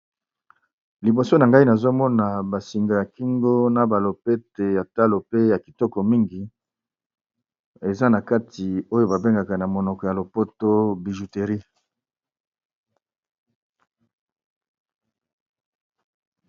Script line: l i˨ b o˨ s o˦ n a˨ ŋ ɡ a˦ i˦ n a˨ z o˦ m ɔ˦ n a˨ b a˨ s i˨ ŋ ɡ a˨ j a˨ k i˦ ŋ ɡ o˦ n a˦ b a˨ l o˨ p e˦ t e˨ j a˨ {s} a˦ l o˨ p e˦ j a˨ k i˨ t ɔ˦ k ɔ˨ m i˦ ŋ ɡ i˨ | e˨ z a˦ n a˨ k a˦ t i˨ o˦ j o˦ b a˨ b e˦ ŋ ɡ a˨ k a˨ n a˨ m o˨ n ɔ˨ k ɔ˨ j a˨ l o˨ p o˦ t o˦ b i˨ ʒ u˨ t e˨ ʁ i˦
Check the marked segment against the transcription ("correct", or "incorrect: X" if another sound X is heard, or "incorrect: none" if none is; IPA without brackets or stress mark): incorrect: t